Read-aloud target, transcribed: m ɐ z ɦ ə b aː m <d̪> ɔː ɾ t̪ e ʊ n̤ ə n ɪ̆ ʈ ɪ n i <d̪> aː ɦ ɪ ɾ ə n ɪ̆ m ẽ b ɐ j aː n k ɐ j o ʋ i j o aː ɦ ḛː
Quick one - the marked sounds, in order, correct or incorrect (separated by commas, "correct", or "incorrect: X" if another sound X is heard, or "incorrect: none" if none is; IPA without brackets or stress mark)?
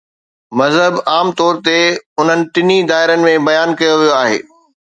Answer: incorrect: t̪, correct